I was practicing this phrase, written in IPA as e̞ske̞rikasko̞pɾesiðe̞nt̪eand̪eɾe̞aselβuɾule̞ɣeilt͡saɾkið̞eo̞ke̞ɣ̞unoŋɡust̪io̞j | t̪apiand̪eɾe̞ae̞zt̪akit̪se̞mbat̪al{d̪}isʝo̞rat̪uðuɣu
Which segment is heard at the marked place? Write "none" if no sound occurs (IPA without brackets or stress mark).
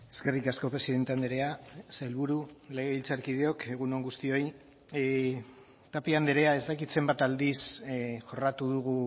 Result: d̪